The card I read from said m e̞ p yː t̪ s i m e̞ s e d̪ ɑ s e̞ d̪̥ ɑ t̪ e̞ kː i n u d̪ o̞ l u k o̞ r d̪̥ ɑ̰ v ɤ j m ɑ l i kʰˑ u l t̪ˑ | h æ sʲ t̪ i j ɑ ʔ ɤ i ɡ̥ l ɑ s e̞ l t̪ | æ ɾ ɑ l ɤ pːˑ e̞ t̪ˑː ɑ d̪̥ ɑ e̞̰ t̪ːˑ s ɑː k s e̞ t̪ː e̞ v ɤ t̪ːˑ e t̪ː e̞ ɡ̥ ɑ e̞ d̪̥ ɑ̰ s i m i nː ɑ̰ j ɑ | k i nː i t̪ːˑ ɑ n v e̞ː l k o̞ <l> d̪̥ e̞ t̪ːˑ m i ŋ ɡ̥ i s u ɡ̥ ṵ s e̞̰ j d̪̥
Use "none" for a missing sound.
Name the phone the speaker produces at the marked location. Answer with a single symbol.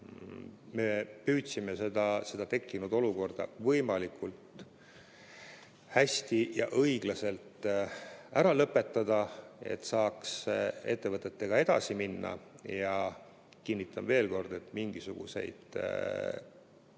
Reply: r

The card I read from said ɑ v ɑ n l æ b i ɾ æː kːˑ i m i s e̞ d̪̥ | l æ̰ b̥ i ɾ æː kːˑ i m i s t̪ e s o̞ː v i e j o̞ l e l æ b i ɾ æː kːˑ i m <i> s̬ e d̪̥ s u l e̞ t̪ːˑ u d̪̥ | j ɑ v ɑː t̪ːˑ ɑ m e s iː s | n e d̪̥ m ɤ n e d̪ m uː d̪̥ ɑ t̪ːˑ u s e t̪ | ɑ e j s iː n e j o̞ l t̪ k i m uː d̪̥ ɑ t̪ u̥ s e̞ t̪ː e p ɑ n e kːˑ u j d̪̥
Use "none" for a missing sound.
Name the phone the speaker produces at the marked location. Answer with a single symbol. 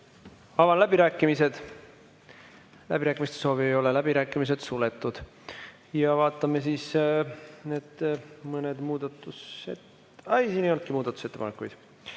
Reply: i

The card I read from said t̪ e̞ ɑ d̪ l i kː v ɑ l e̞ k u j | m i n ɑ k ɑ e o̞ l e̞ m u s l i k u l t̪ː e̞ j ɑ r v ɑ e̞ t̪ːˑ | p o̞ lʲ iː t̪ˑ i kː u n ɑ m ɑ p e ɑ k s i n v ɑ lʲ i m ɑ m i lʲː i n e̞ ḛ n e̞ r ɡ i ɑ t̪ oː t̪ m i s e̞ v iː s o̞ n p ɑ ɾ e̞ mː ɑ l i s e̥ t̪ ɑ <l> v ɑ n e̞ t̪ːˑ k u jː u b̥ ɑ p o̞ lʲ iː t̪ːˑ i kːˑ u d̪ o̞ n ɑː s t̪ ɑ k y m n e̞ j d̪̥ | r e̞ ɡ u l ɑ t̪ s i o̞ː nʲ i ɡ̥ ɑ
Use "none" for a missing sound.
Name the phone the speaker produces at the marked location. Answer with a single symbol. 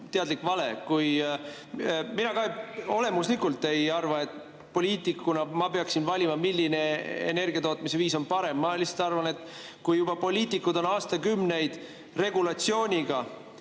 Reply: r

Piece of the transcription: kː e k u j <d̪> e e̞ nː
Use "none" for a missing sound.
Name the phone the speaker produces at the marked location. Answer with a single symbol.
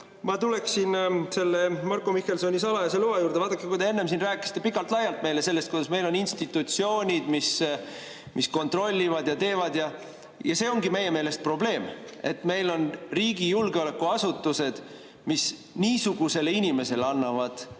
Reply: d̪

